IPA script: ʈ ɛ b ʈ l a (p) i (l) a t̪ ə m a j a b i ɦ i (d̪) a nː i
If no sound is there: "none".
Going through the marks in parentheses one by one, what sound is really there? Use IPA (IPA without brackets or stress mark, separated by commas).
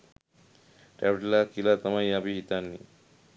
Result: k, l, t̪